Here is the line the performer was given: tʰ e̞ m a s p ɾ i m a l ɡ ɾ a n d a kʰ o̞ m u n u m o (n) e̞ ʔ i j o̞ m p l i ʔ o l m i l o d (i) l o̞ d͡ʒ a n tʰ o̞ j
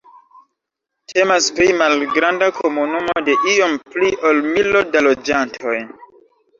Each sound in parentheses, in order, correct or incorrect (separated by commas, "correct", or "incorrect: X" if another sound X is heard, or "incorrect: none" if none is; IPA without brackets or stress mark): incorrect: d, incorrect: a